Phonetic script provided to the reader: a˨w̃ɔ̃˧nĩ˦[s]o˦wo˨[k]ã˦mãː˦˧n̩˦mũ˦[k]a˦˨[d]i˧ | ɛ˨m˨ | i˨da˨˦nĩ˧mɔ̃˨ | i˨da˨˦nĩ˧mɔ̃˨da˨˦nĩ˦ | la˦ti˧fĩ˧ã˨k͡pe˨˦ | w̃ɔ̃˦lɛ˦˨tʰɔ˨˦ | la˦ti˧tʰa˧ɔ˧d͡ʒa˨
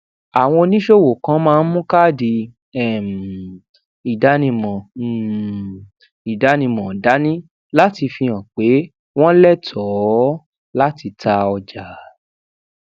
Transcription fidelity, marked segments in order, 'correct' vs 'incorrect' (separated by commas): incorrect, correct, correct, correct